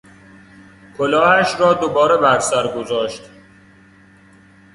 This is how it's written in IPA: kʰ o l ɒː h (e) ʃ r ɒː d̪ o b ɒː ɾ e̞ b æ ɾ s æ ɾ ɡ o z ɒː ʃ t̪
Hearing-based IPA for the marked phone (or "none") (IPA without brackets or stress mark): æ